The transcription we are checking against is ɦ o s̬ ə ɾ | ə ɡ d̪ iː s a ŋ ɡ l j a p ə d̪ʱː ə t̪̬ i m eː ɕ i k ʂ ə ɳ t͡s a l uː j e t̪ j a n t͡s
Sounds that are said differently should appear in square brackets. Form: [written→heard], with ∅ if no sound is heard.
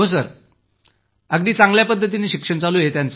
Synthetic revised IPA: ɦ o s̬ ə ɾ | ə ɡ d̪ iː [s→t͡s] a ŋ ɡ l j a p ə d̪ʱː ə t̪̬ i [m→n] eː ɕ i k ʂ ə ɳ t͡s a l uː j e t̪ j a n t͡s